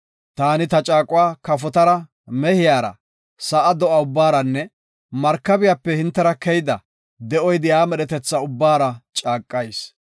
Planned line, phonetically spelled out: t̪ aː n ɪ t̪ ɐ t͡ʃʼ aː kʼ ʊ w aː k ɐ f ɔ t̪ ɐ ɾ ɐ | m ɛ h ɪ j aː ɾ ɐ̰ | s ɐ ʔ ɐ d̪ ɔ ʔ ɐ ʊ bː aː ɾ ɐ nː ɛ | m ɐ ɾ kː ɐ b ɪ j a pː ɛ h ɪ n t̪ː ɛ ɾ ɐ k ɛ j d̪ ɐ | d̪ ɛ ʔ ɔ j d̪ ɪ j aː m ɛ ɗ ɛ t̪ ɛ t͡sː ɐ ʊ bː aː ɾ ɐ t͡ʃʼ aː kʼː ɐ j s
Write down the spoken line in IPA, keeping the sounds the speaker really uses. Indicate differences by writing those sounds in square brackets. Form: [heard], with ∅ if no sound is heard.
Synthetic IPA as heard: t̪ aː n ɪ t̪ ɐ t͡ʃʼ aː kʼ ʊ w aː k ɐ f ɔ t̪ ɐ ɾ ɐ | m ɛ h ɪ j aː ɾ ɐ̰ | s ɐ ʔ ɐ d̪ ɔ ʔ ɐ ʊ bː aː ɾ ɐ nː ɛ | m ɐ ɾ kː ɐ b ɪ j a pː ɛ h ɪ n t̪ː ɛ ɾ ɐ k ɛ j d̪ ɐ | d̪ ɛ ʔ ɔ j d̪ ɪ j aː m ɛ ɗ ɛ t̪ ɛ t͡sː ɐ ʊ bː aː ɾ ɐ t͡ʃʼ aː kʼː ɐ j s